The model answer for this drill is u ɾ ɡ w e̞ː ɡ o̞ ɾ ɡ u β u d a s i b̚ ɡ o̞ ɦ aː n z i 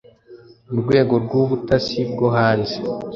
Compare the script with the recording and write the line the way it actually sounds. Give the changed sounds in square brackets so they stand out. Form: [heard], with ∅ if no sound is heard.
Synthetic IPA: u ɾ ɡ w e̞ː ɡ o̞ ɾ ɡ u β u [t] a s i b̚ ɡ o̞ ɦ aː n z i

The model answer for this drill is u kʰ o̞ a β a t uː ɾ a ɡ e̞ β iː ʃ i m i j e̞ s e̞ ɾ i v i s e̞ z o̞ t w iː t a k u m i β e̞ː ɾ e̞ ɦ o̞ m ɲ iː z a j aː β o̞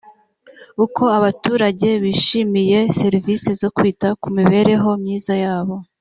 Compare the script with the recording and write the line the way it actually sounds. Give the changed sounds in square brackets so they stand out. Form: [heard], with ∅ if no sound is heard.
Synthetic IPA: u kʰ o̞ a β a t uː ɾ a [ɟ] e̞ β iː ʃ i m i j e̞ s e̞ ɾ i v i s e̞ z o̞ [k] w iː t a k u m i β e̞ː ɾ e̞ ɦ o̞ m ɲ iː z a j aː β o̞

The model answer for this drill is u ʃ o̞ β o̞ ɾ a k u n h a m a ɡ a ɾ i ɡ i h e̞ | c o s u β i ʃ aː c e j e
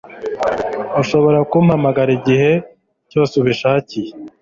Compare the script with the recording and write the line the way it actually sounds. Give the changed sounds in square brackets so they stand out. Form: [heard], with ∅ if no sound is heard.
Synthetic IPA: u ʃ o̞ β o̞ ɾ a k u [m] h a m a ɡ a ɾ i [ɟ] i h e̞ | c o s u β i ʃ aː c [i] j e

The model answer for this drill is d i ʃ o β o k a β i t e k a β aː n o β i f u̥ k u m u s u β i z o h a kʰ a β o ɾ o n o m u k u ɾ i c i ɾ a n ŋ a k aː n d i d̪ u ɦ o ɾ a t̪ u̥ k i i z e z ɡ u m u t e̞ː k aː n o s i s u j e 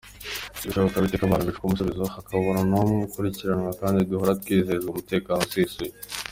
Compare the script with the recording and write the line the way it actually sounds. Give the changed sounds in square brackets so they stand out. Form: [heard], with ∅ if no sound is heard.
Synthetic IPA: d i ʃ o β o k a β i t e k a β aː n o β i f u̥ k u m u s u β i z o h a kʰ a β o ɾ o n o m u k u ɾ i c i ɾ a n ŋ a k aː n d i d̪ u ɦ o ɾ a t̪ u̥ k i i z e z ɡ u m u t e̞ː k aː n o s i s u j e

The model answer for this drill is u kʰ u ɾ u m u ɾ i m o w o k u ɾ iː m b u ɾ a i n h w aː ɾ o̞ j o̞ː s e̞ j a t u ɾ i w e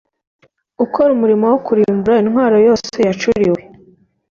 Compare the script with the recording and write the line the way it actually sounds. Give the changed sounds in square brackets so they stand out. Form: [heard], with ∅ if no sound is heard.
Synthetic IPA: u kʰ [o] ɾ u m u ɾ i m o w o k u ɾ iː m b u ɾ a i n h w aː ɾ o̞ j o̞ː s e̞ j a [t͡ʃ] u ɾ i w e

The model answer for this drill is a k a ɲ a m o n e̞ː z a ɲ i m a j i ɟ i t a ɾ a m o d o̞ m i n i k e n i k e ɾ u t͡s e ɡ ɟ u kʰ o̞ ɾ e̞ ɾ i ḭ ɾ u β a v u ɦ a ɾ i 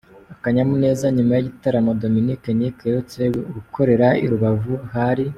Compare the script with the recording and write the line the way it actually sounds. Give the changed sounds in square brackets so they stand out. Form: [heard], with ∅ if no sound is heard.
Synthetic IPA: a k a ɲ a m [u] n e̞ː z a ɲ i m a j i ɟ i t a ɾ a m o d o̞ m i n i k e n i k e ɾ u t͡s e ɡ [ɡ] u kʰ o̞ ɾ e̞ ɾ [a] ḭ ɾ u β a v u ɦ a ɾ i

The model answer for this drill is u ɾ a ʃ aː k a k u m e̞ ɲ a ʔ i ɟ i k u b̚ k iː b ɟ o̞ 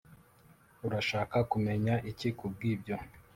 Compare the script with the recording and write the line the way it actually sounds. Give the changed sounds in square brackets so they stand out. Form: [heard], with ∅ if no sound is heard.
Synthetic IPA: u ɾ a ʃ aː k a k u m e̞ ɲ a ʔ i [c] i k u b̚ [ɡ] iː b ɟ o̞

